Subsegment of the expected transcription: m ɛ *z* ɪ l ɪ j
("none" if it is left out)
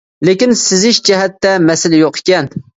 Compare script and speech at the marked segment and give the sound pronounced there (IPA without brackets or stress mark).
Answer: s